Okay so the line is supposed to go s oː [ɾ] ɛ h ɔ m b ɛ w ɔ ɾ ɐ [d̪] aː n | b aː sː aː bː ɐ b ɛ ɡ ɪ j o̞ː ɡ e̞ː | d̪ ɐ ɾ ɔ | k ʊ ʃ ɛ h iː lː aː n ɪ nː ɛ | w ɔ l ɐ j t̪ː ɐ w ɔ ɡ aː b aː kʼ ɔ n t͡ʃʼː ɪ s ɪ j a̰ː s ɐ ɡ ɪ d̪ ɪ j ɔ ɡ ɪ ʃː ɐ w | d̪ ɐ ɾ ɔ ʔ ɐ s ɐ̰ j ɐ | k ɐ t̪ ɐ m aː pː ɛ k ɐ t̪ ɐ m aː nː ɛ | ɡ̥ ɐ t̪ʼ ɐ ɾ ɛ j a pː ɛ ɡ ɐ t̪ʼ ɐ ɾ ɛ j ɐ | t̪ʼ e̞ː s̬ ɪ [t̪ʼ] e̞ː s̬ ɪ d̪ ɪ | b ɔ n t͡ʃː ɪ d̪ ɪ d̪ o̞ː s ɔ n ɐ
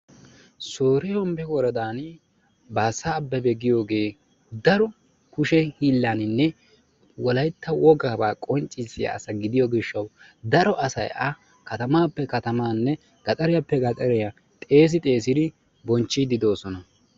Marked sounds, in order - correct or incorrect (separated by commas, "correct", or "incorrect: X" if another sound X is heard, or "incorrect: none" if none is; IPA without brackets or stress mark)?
correct, correct, correct